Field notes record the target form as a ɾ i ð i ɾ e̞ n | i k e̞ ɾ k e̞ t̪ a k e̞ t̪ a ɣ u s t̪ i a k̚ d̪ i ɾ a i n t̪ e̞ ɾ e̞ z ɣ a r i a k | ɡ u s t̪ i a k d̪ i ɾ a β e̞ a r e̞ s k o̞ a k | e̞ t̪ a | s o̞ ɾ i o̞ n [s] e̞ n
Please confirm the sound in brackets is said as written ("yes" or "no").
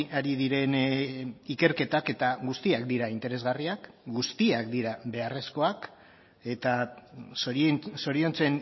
no